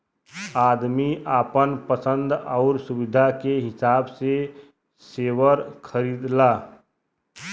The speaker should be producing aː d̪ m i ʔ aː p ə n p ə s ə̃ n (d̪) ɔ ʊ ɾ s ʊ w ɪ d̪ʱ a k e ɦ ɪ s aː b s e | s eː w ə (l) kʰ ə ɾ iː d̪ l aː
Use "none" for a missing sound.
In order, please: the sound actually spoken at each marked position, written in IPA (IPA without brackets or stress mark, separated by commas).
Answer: d̪, ɾ